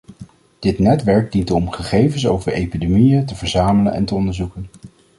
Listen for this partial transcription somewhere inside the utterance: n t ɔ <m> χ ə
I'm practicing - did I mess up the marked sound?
no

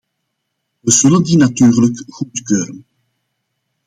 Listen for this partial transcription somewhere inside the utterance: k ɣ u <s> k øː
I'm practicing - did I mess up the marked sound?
yes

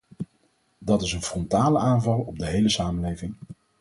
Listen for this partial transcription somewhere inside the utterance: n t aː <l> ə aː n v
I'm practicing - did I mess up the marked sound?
no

